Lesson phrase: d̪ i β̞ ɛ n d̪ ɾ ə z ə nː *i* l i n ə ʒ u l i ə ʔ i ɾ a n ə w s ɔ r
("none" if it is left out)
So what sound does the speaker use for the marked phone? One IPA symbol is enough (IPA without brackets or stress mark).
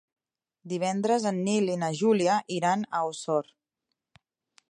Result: i